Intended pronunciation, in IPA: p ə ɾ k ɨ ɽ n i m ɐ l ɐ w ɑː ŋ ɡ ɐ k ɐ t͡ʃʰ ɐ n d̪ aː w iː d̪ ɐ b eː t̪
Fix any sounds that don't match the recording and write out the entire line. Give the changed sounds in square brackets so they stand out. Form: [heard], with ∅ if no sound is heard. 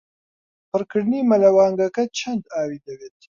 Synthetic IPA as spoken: p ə ɾ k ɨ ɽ n i m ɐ l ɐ w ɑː ŋ ɡ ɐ k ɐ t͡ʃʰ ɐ n d̪ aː w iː d̪ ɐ [w] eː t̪